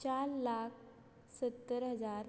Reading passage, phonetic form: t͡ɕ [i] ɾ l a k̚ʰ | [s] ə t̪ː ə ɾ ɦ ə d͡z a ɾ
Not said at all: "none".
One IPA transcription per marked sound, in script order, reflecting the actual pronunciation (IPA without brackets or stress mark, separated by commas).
a, s